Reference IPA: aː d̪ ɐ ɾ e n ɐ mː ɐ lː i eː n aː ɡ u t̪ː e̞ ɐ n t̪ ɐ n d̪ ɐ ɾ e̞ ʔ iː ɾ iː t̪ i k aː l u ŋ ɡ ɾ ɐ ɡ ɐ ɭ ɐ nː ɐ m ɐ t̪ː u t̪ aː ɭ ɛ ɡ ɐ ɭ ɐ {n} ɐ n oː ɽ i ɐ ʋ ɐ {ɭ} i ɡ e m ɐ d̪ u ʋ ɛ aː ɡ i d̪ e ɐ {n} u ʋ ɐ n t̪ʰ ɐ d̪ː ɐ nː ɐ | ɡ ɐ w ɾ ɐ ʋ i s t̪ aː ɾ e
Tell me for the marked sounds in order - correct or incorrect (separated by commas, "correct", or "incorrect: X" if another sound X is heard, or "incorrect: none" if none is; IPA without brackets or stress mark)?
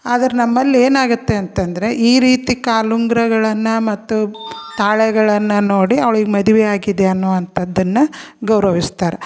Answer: incorrect: nː, correct, incorrect: nː